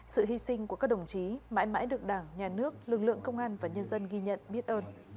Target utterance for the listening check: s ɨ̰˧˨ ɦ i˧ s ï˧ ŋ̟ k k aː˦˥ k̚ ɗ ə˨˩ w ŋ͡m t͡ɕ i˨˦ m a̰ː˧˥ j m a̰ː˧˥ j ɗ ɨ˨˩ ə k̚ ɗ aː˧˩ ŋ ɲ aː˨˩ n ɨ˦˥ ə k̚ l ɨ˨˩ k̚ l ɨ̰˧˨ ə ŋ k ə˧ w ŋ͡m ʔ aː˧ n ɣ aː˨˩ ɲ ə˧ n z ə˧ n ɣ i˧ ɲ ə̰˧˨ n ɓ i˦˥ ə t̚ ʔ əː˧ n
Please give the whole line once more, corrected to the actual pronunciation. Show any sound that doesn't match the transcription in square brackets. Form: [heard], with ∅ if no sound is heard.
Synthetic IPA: s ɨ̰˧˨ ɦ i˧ s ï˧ ŋ̟ k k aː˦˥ k̚ ɗ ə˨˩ w ŋ͡m t͡ɕ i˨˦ m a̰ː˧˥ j m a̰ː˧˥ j ɗ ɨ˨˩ ə k̚ ɗ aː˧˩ ŋ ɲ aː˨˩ n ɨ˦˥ ə k̚ l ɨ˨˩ k̚ l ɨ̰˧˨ ə ŋ k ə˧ w ŋ͡m ʔ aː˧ n [v] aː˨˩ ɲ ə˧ n z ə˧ n ɣ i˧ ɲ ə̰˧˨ n ɓ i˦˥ ə t̚ ʔ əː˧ n